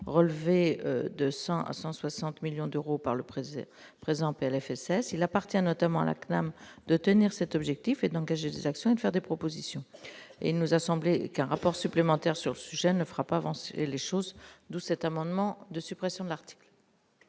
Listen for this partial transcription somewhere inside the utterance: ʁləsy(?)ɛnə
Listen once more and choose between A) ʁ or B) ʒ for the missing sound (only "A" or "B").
B